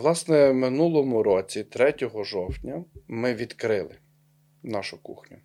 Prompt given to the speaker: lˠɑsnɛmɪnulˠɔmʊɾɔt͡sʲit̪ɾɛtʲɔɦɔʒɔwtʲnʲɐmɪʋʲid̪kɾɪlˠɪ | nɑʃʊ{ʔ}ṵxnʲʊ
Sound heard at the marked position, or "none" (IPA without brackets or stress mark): k